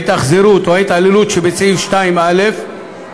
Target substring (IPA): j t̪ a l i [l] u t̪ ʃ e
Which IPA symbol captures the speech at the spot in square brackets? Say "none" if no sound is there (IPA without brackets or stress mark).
l